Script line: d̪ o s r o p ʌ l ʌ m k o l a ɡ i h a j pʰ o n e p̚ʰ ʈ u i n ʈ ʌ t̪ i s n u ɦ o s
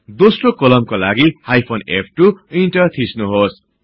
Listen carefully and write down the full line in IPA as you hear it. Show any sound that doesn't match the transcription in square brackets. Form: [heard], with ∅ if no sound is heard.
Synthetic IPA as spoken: d̪ o s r o [k] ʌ l ʌ m k o l a ɡ i h a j pʰ o n e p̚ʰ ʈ u i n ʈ ʌ [t̪ʰ] i s n u ɦ o s